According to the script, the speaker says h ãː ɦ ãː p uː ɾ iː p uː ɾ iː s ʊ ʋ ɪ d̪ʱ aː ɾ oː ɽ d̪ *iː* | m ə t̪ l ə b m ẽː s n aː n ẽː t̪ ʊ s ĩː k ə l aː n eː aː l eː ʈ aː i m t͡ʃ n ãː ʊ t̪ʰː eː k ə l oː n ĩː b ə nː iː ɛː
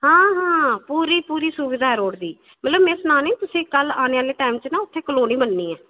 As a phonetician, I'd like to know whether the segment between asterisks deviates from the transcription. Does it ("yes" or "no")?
no